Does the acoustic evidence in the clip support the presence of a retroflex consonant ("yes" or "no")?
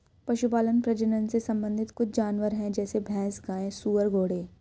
yes